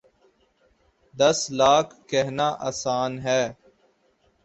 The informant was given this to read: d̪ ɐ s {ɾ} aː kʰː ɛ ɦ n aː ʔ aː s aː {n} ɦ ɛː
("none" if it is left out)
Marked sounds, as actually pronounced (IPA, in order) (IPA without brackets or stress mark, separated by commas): l, n